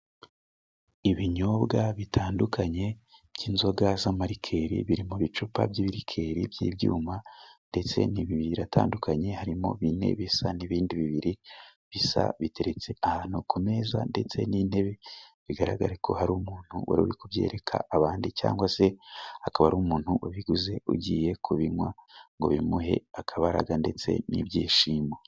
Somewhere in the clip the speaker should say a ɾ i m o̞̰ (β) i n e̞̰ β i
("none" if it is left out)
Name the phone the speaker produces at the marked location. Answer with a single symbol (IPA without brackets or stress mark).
β